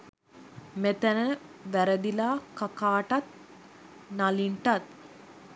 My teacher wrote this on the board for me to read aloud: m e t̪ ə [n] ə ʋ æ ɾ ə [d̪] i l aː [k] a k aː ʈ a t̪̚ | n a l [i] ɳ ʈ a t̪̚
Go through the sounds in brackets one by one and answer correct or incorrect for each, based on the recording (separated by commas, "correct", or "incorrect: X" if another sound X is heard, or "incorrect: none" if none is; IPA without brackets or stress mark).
correct, correct, correct, correct